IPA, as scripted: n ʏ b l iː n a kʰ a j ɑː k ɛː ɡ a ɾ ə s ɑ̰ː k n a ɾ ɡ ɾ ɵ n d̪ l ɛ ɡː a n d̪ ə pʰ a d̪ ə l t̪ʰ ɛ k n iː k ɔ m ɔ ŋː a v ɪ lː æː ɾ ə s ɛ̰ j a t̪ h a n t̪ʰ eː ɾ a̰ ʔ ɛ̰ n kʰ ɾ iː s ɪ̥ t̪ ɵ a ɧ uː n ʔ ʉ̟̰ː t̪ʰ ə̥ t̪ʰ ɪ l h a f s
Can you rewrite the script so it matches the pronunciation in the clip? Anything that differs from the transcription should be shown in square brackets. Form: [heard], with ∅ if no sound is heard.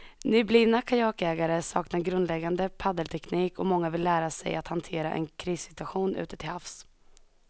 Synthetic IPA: n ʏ b l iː n a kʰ a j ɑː k ɛː ɡ a ɾ ə s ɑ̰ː k n a ɾ ɡ ɾ ɵ n d̪ l ɛ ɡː a n d̪ ə pʰ a d̪ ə l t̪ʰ ɛ k n iː k ɔ m ɔ ŋː a v ɪ lː æː ɾ [a] s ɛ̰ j a t̪ h a n t̪ʰ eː ɾ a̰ ʔ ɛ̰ n kʰ ɾ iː s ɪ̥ t̪ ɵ a ɧ uː n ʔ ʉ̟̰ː [t̪] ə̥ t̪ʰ ɪ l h a f s